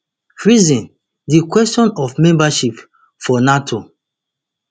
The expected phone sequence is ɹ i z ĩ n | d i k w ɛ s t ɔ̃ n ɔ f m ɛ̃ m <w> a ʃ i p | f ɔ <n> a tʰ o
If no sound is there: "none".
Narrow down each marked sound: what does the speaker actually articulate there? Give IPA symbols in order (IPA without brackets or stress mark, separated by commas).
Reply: b, n